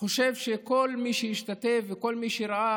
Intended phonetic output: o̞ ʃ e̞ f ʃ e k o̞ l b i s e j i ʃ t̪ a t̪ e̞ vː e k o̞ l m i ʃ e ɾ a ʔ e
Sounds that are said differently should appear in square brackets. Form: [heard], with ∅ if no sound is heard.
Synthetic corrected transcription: o̞ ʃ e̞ [v] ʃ e k o̞ l [m] i [ʃ] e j i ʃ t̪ a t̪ e̞ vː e k o̞ l m i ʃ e ɾ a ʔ [a]